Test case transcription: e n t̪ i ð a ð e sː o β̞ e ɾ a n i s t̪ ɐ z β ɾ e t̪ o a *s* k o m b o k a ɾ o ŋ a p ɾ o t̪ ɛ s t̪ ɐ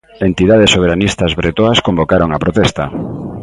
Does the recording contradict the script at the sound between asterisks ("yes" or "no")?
no